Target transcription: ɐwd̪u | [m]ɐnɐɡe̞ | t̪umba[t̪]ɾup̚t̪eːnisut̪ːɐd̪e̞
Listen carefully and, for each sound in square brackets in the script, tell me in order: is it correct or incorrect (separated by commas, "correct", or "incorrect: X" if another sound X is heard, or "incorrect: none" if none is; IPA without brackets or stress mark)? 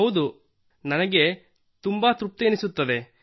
incorrect: n, correct